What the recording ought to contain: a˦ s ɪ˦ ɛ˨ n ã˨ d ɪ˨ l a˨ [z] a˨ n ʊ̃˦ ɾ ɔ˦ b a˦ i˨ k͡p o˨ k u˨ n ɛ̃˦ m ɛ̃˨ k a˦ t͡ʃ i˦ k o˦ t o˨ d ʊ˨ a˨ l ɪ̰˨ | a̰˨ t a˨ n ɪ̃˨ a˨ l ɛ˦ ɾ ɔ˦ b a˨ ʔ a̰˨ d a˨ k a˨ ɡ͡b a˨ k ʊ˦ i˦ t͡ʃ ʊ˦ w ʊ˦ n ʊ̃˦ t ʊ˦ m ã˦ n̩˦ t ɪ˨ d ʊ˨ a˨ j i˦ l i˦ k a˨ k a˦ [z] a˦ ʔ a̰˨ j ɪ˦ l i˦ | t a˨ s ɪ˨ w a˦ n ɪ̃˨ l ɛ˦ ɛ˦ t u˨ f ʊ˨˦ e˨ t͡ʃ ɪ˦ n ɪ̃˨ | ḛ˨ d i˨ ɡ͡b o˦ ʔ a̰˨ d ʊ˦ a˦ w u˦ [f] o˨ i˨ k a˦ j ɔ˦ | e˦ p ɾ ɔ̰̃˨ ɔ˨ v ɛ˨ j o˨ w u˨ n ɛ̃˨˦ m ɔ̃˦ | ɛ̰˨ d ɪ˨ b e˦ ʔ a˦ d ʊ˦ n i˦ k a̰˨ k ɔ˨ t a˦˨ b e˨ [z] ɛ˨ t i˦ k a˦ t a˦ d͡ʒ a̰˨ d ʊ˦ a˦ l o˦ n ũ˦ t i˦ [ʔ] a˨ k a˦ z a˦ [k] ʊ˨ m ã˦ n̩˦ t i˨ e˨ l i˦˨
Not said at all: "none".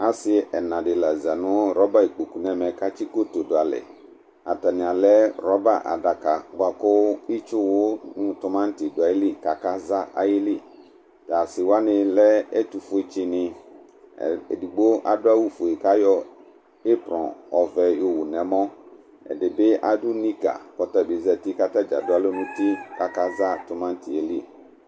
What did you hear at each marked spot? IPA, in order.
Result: z, z, f, z, k, t

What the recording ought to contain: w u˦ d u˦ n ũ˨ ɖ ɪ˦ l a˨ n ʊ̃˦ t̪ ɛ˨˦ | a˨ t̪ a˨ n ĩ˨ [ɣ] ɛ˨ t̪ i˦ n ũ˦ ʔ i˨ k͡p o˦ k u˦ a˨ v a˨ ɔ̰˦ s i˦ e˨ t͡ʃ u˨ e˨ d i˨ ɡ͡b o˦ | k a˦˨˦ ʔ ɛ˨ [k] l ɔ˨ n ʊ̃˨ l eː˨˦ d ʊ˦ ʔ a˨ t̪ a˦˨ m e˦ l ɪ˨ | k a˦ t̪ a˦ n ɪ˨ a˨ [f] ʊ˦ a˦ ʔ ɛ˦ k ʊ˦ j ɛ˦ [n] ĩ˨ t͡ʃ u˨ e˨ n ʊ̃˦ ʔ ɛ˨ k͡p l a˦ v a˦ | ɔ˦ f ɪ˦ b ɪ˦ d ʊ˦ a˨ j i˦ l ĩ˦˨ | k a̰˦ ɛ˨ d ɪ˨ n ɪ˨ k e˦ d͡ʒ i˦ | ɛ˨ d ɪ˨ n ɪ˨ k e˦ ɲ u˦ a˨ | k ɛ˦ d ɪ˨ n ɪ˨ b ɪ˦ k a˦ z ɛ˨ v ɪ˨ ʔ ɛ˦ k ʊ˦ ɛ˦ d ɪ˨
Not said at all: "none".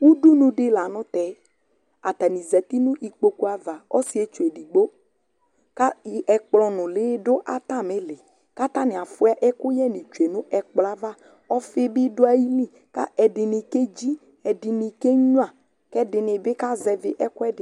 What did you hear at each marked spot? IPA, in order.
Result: z, k͡p, f, n

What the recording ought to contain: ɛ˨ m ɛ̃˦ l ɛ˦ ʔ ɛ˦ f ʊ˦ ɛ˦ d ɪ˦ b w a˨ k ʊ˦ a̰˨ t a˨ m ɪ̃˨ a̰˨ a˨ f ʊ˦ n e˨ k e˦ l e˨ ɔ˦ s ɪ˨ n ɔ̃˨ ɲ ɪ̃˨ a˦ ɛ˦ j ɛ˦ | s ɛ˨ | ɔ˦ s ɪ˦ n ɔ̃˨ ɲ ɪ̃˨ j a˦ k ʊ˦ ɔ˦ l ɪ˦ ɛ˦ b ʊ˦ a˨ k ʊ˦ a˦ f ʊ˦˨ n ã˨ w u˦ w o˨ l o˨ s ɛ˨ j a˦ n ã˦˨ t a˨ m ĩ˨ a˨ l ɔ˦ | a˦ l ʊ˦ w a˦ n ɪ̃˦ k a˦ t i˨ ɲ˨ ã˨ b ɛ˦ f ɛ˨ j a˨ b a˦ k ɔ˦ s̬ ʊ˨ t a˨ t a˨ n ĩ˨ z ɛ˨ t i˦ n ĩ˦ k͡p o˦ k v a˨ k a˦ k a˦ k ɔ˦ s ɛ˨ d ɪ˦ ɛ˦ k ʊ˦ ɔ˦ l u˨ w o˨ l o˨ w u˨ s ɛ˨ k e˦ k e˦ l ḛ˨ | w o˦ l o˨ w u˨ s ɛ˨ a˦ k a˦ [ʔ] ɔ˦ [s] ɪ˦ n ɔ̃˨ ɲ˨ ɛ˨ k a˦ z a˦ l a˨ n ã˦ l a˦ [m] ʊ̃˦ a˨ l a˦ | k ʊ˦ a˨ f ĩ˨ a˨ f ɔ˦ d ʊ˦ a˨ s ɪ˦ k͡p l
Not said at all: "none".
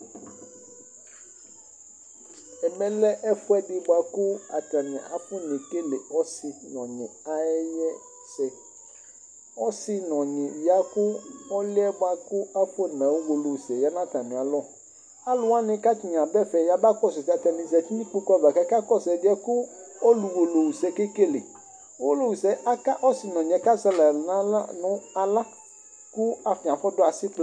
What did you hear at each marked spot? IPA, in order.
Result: ʔ, s, n

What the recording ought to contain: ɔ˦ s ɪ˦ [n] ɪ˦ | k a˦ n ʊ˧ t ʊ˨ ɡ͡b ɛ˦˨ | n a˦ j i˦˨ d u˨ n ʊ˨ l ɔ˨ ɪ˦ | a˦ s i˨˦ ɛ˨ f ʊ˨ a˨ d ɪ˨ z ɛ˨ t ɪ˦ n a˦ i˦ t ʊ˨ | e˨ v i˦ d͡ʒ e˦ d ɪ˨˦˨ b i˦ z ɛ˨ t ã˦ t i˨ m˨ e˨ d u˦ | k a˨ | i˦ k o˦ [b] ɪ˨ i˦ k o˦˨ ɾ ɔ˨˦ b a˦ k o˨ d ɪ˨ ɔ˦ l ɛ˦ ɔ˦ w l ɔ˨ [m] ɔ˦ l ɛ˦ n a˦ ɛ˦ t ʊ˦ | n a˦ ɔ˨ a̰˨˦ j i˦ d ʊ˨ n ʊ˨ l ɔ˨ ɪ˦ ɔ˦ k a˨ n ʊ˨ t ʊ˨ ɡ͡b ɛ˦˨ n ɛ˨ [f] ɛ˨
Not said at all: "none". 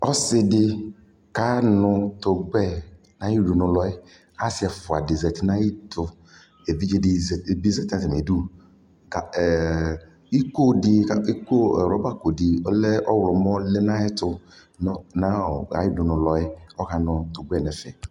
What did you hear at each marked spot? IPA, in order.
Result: d, d, m, f

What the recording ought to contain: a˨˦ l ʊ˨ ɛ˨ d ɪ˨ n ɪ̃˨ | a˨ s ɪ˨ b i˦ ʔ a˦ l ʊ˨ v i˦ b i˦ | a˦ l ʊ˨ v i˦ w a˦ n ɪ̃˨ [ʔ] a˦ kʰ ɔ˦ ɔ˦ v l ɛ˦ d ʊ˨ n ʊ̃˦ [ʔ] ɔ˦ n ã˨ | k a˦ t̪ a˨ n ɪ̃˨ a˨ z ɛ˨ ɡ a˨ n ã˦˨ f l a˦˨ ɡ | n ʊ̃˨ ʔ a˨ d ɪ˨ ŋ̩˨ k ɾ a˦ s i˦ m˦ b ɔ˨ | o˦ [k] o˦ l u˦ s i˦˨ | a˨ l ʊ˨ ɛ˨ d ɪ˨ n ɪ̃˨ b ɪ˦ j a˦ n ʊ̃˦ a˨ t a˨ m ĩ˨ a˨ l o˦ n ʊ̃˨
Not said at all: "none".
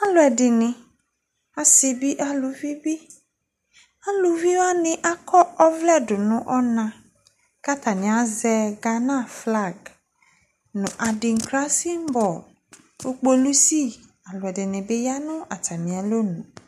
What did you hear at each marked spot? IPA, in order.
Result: ʔ, ʔ, k͡p

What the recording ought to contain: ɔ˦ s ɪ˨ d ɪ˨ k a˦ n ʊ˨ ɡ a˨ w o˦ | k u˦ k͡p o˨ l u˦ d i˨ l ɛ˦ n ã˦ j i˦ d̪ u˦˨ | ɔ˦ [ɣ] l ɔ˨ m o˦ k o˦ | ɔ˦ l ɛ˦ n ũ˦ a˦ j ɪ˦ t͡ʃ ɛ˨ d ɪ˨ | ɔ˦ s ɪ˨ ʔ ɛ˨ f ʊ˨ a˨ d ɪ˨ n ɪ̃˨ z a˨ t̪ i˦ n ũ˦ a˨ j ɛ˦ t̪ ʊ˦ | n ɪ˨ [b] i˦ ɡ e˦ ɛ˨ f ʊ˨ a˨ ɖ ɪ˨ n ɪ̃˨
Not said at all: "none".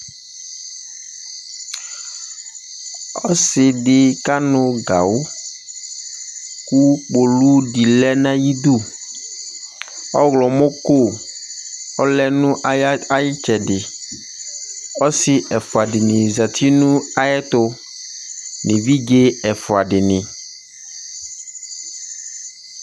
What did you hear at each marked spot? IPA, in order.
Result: ɣ, v

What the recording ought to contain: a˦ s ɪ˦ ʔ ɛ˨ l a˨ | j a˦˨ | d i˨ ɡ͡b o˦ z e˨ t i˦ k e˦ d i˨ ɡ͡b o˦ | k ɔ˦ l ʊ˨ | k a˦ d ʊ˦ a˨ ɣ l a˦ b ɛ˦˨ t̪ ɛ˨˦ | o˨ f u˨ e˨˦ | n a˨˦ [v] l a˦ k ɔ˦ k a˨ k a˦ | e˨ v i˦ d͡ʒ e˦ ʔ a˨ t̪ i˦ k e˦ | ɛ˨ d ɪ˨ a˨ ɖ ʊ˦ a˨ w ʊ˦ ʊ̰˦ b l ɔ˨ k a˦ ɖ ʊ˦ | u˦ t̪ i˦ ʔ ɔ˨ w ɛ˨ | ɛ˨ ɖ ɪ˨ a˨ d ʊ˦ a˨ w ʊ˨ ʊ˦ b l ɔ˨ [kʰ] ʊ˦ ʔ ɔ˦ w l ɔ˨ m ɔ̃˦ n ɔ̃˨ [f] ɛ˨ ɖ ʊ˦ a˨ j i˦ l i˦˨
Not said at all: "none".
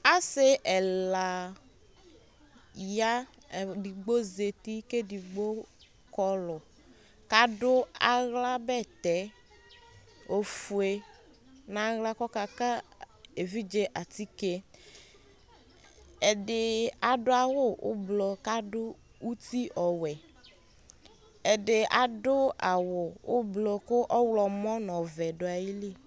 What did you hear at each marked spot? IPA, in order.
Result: ɣ, k, v

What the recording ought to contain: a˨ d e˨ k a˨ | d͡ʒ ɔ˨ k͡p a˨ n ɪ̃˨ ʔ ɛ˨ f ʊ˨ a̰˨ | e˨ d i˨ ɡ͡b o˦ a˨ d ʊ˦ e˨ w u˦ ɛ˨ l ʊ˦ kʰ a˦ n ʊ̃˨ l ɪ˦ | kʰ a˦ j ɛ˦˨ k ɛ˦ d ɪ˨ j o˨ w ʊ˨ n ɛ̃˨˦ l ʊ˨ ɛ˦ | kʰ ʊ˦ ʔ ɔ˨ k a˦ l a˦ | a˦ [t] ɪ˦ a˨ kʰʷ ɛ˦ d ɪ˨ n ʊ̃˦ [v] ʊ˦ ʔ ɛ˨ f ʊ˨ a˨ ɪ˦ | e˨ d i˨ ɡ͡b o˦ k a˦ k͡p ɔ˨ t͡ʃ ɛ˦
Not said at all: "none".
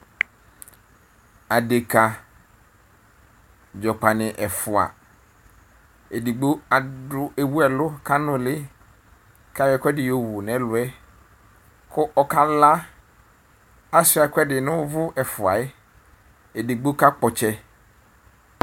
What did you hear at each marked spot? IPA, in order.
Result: s, v

